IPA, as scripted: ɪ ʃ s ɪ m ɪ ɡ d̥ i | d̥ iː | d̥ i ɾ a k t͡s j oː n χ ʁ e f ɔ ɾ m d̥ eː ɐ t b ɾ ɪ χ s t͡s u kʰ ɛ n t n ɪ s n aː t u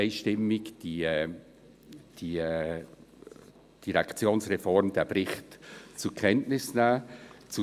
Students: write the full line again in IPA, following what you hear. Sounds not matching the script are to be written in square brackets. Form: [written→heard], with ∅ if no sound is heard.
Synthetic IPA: ɪ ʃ [s→t] ɪ m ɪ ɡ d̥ i | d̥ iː | d̥ i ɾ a k t͡s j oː n [χ→s] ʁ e f ɔ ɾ m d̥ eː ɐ [t→∅] b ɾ ɪ χ [s→t] t͡s u kʰ ɛ n t n ɪ s n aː [t→t͡s] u